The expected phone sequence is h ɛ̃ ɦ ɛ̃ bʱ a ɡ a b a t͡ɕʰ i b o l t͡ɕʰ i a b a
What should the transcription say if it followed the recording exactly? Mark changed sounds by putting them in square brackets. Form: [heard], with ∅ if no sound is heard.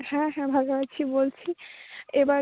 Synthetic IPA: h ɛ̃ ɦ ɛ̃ bʱ a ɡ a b a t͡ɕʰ i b o l t͡ɕʰ i [e] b a